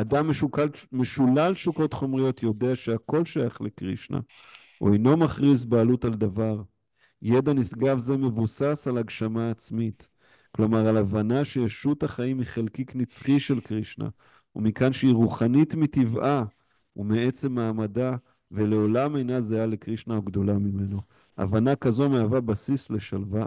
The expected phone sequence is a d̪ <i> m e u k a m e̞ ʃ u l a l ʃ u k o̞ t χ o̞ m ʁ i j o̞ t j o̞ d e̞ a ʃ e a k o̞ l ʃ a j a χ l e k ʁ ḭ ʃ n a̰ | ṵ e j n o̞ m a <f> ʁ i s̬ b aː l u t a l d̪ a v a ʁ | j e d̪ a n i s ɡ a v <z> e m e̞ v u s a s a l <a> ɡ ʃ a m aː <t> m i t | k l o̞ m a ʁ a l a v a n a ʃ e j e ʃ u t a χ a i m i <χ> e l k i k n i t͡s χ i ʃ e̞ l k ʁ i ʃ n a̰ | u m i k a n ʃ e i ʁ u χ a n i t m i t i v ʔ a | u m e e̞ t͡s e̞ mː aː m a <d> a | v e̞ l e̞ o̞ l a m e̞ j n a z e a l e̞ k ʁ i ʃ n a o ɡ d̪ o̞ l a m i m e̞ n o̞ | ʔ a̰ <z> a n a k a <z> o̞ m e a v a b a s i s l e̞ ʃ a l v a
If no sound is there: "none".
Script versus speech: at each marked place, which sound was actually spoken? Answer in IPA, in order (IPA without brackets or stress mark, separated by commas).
a, χ, z, a, t͡s, χ, d, v, z